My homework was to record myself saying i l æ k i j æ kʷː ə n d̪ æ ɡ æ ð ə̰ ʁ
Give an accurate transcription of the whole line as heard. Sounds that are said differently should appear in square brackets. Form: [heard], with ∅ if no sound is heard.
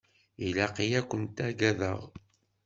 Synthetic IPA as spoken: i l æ [q] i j æ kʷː ə n [t̪] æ ɡ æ ð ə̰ ʁ